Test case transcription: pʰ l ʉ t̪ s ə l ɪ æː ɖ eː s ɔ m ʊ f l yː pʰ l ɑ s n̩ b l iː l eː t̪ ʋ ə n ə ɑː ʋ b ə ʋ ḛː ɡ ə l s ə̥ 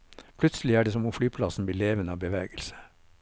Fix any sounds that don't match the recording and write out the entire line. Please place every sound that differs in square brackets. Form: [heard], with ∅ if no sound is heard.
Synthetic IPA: pʰ l ʉ t̪ s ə l ɪ æː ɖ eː s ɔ m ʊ f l yː pʰ l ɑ s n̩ b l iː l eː [∅] ʋ ə n ə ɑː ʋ b ə ʋ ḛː ɡ ə l s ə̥

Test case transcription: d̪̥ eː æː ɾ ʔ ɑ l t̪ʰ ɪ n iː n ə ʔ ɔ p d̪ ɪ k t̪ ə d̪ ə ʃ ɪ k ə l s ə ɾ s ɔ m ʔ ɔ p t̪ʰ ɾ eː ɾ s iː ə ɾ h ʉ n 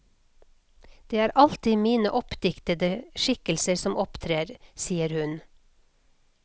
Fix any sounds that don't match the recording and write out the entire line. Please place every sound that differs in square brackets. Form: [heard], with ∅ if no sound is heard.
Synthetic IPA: d̪̥ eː æː ɾ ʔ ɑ l [t̪] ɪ [m] iː n ə ʔ ɔ p d̪ ɪ k t̪ ə d̪ ə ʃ ɪ k ə l s ə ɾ s ɔ m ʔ ɔ p t̪ʰ ɾ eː ɾ s iː ə ɾ h ʉ n

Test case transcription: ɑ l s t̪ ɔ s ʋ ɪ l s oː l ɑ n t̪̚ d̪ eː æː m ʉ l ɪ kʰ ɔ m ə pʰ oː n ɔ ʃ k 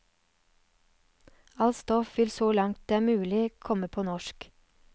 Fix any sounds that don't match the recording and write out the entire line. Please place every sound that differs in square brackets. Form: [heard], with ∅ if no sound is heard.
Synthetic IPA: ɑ l s t̪ ɔ [f] ʋ ɪ l s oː l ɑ [ŋ] t̪̚ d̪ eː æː m [ʉː] l ɪ kʰ ɔ m ə pʰ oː n ɔ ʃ k

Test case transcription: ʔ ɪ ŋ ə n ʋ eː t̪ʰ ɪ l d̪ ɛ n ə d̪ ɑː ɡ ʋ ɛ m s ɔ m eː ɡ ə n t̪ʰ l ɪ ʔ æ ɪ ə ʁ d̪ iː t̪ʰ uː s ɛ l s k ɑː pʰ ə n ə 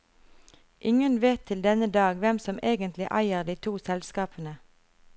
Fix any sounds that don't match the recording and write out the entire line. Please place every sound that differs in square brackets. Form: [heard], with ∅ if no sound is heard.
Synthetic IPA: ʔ ɪ ŋ ə n ʋ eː t̪ʰ ɪ l d̪ ɛ n ə d̪ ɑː ɡ ʋ ɛ m s ɔ m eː ɡ ə n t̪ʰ l ɪ ʔ æ ɪ ə ʁ d̪ iː t̪ʰ uː s ɛ l s k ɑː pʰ ə n ə

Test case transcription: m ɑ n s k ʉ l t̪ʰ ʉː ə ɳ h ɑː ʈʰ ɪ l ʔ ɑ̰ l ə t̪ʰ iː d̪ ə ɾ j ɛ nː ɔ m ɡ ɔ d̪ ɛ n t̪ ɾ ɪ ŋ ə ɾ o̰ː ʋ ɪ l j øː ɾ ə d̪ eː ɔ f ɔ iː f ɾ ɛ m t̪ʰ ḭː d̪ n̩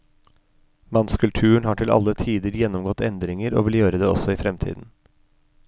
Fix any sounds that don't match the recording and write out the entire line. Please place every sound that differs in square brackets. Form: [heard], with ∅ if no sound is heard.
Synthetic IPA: m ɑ n s k ʉ l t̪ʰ ʉː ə ɳ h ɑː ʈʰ ɪ l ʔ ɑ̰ l ə t̪ʰ iː d̪ ə ɾ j ɛ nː ɔ m ɡ ɔ [t̪] ɛ n [d̪] ɾ ɪ ŋ ə ɾ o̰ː ʋ ɪ l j øː ɾ ə d̪ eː ɔ [s] ɔ iː f ɾ ɛ m t̪ʰ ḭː d̪ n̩

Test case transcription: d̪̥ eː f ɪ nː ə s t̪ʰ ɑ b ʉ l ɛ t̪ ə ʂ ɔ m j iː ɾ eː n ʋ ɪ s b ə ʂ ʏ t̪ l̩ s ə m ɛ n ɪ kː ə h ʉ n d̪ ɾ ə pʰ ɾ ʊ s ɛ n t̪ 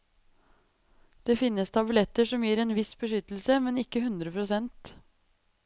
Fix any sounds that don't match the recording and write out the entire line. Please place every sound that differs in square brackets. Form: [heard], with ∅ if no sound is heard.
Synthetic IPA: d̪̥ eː f ɪ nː ə s t̪ʰ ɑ b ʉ l ɛ t̪ ə ʂ ɔ m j iː ɾ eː n ʋ ɪ s b ə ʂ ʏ t̪ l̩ s ə m ɛ n ɪ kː ə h ʉ n d̪ ɾ ə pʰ ɾ ʊ s ɛ n t̪

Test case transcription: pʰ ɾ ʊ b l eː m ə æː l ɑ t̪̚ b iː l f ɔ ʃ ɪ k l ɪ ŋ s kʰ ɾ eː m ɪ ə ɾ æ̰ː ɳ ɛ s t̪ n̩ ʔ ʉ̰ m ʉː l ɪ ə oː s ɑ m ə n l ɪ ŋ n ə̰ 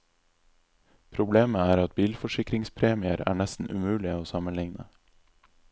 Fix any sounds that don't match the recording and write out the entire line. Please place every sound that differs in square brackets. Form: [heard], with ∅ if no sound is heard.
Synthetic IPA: pʰ ɾ ʊ b l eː m ə æː [ɾ] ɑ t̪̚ b iː l f ɔ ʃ ɪ k [ɾ] ɪ ŋ s [pʰ] ɾ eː m ɪ ə ɾ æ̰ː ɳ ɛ s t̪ n̩ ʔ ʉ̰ m ʉː l ɪ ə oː s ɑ m ə n l ɪ ŋ n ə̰

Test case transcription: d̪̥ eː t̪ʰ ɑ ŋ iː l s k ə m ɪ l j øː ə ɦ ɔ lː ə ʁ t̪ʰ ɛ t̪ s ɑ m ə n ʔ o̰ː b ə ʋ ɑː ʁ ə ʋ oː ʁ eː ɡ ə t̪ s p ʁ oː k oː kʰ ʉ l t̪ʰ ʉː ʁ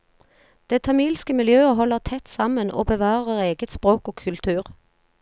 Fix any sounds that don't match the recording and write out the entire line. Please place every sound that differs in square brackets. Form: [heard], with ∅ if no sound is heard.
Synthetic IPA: d̪̥ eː t̪ʰ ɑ [m] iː l s k ə m ɪ l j øː ə ɦ ɔ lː ə ʁ t̪ʰ ɛ t̪ s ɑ m ə n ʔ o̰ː b ə ʋ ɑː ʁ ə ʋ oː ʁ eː ɡ ə t̪ s p ʁ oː k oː kʰ ʉ l t̪ʰ ʉː ʁ

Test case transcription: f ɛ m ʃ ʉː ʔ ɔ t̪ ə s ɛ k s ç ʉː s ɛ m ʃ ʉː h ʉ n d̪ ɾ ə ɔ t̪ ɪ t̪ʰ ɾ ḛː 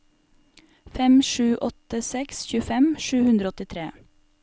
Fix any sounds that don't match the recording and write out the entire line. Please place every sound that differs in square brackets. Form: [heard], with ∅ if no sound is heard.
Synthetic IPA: f ɛ m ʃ ʉː ʔ ɔ t̪ ə s ɛ k s ç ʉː [f] ɛ m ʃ ʉː h ʉ n d̪ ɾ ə ɔ t̪ ɪ t̪ʰ ɾ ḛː

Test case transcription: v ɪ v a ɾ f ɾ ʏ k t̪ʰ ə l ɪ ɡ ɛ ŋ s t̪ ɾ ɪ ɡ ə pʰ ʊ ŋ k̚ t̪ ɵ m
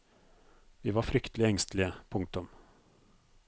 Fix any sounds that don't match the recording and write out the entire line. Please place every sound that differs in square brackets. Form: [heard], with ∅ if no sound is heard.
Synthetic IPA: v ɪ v a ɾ f ɾ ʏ k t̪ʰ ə l ɪ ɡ ɛ ŋ s t̪ [l] ɪ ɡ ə pʰ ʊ ŋ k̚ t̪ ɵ m

